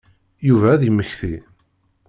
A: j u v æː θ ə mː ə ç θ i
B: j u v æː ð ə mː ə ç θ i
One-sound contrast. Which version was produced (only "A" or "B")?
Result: B